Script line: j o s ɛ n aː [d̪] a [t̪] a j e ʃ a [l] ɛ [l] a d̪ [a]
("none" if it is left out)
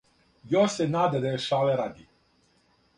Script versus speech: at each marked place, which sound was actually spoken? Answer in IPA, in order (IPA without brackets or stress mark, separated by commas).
d̪, d̪, l, ɾ, i